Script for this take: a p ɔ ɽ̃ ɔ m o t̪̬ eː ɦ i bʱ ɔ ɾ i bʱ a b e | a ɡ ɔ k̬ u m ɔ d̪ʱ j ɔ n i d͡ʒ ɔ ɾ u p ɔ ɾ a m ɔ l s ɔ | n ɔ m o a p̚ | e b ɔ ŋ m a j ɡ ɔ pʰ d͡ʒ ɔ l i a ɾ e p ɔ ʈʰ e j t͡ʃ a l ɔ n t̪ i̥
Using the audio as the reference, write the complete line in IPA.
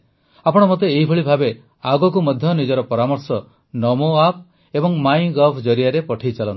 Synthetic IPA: a p ɔ ɽ̃ ɔ m o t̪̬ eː ɦ i bʱ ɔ ɭ i bʱ a b e | a ɡ ɔ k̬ u m ɔ d̪ʱ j ɔ n i d͡ʒ ɔ ɾ ɔ p ɔ ɾ a m ɔ ɾ s ɔ | n ɔ m o a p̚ | e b ɔ ŋ m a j ɡ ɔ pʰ d͡ʒ ɔ ɾ i a ɾ e p ɔ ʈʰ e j t͡ʃ a l ɔ n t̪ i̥